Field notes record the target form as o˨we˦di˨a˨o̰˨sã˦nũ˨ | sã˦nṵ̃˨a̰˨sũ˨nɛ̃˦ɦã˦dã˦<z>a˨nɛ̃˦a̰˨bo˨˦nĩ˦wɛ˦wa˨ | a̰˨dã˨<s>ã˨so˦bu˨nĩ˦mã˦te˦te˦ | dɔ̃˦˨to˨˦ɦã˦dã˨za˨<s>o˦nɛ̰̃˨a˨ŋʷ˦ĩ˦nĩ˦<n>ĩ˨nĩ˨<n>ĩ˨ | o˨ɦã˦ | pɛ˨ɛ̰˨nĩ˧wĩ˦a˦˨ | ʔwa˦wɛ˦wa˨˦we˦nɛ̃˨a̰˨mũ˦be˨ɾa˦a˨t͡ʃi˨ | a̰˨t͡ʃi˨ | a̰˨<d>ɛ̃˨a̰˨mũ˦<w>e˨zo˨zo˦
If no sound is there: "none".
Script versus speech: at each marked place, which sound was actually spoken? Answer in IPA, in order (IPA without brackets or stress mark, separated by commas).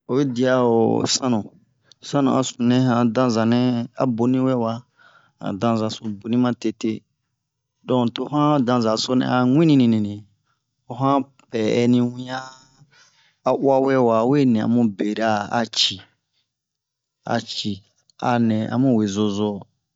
z, z, s, n, n, n, w